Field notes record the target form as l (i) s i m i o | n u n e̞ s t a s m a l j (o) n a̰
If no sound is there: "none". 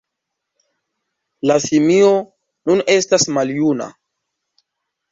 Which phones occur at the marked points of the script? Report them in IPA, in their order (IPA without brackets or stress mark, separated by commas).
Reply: a, u